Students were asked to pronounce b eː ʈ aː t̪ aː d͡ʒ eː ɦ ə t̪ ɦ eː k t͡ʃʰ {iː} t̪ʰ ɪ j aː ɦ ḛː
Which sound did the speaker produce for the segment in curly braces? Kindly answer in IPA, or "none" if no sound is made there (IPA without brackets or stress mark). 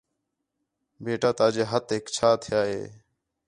aː